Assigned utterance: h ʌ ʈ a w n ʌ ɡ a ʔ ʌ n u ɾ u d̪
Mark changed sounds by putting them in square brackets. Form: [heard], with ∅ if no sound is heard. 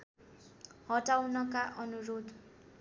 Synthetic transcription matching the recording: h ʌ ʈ a w n ʌ [k] a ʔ ʌ n u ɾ [o] d̪